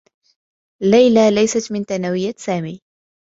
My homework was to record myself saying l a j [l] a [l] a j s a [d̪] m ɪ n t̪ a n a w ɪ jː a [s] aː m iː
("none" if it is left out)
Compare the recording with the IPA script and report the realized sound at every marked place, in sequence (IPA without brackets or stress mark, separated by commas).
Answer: l, l, t̪, s